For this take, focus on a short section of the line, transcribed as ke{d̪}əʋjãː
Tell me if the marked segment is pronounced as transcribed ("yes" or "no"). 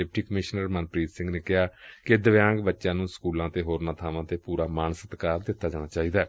yes